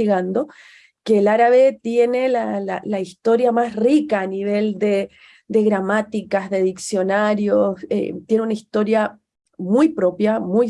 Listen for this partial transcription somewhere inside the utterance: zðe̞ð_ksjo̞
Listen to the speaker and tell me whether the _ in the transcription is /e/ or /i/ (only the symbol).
i